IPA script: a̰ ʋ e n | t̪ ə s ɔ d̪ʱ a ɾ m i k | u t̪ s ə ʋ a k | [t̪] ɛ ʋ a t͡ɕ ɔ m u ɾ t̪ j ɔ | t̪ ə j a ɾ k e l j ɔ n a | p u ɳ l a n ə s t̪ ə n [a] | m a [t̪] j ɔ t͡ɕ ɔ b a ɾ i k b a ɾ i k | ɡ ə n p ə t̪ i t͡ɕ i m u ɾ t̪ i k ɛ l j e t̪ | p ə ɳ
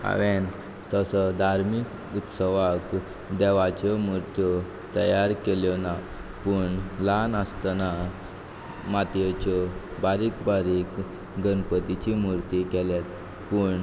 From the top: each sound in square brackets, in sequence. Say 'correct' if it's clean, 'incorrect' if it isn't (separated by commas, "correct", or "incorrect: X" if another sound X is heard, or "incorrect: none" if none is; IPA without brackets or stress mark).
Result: incorrect: d̪, correct, correct